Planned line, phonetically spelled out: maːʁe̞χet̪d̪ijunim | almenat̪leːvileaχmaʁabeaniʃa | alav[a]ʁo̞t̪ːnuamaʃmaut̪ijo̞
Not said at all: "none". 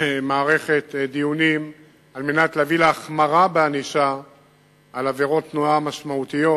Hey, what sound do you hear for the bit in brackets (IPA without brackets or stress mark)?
e